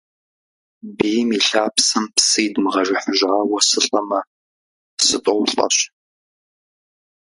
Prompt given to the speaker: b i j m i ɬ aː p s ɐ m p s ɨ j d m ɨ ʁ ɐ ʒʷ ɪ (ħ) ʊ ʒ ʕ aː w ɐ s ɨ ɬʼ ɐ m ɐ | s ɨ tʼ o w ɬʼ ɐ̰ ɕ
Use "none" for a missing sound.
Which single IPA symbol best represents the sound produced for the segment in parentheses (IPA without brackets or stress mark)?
ħ